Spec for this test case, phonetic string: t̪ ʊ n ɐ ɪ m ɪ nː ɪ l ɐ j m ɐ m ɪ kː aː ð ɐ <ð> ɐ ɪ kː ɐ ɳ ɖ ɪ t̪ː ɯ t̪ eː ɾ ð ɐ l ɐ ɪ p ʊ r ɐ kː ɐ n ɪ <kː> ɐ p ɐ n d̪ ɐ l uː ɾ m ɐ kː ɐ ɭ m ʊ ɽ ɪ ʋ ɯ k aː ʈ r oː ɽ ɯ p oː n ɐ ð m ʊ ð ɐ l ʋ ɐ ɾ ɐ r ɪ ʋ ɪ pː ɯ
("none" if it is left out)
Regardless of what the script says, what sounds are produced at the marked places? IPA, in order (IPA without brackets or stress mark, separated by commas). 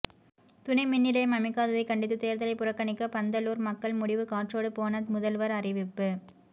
ð, kː